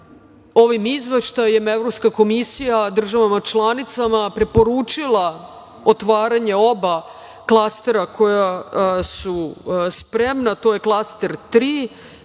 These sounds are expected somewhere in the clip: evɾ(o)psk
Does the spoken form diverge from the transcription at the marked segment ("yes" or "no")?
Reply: no